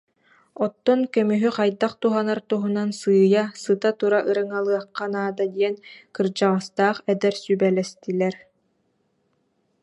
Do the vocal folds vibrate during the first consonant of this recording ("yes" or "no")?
no